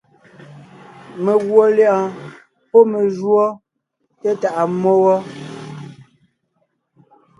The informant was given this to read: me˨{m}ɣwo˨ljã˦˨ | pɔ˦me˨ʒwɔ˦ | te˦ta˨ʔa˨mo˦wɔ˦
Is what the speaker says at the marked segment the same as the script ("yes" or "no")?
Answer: no